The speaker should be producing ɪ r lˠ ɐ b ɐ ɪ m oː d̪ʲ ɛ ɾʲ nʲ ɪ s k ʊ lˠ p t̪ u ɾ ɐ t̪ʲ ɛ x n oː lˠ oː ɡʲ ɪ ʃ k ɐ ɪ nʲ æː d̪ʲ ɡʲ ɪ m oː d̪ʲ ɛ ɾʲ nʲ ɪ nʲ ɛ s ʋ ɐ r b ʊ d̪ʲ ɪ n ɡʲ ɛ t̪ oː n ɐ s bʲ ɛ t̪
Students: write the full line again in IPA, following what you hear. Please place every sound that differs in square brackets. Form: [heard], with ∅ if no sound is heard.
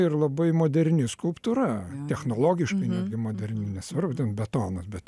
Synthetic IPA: ɪ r lˠ ɐ b ɐ ɪ m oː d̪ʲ ɛ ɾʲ nʲ ɪ s k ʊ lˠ p t̪ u ɾ ɐ t̪ʲ ɛ x n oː lˠ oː ɡʲ ɪ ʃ k ɐ ɪ nʲ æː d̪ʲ ɡʲ ɪ m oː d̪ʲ ɛ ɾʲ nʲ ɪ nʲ ɛ s ʋ ɐ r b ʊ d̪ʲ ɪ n [bʲ] ɛ t̪ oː n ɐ s bʲ ɛ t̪